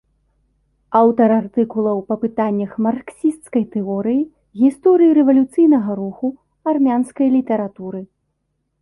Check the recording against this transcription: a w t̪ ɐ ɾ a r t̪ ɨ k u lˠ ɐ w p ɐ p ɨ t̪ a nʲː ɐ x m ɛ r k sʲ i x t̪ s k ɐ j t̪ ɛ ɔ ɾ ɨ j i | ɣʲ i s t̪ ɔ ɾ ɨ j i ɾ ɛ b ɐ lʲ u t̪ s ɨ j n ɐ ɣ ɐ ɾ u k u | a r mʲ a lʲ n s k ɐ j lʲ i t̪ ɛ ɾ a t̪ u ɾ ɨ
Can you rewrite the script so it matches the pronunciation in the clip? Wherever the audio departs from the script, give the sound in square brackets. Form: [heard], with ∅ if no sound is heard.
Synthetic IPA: a w t̪ ɐ ɾ a r t̪ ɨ k u lˠ ɐ w p ɐ p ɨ t̪ a nʲː ɐ x m [a] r k sʲ i [s] t̪ s k ɐ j t̪ ɛ ɔ ɾ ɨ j i | ɣʲ i s t̪ ɔ ɾ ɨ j i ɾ ɛ [v] ɐ lʲ u t̪ s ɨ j n ɐ ɣ ɐ ɾ u [x] u | a r mʲ a [∅] n s k ɐ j lʲ i t̪ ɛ ɾ a t̪ u ɾ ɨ